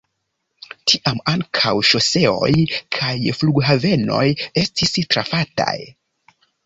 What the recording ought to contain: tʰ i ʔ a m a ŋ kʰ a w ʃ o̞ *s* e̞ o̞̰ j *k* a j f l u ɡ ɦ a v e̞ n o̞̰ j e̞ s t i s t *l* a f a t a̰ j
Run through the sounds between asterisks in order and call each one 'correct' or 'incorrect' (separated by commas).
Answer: correct, incorrect, incorrect